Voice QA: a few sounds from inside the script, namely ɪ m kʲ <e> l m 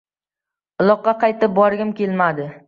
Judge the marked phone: correct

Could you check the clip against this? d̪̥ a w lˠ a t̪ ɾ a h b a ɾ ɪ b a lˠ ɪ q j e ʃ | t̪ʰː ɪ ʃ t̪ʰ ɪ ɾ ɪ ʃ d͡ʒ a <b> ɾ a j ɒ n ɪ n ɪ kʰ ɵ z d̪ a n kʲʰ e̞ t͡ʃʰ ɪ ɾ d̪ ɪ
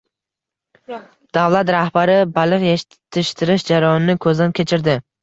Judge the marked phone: incorrect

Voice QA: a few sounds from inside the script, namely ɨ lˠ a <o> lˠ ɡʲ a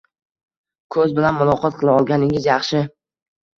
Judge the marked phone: incorrect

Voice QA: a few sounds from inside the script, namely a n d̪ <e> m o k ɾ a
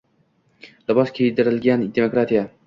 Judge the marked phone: correct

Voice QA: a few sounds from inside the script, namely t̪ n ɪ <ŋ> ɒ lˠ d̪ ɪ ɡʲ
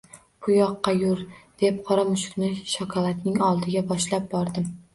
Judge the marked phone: correct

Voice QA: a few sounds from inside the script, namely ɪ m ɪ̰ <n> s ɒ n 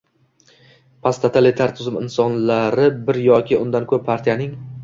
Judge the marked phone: correct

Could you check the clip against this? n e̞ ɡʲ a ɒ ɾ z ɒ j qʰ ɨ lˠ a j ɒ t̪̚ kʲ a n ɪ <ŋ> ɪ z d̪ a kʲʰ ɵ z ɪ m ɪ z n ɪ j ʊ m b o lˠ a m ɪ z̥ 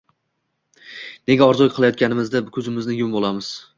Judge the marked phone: incorrect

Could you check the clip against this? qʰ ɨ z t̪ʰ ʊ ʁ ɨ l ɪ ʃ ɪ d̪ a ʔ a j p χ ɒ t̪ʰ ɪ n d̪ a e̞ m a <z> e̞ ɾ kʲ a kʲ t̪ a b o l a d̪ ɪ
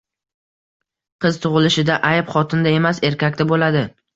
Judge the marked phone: incorrect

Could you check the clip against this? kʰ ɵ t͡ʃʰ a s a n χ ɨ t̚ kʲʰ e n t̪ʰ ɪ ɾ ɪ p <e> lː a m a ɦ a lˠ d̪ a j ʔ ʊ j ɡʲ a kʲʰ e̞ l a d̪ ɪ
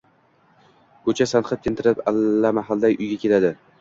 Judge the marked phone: incorrect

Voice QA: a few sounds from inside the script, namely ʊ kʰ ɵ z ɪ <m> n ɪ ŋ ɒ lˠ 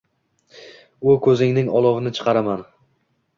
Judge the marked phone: incorrect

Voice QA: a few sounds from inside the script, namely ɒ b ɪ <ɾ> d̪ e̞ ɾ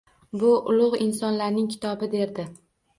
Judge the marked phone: incorrect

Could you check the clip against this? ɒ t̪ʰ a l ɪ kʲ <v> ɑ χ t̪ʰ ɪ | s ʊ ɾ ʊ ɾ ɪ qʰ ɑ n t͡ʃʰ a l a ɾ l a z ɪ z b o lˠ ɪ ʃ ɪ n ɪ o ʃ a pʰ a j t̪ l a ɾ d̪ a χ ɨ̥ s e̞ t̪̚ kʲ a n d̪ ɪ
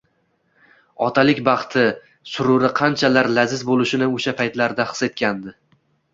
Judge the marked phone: incorrect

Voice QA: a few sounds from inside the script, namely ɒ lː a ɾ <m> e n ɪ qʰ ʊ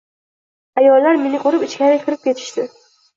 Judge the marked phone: correct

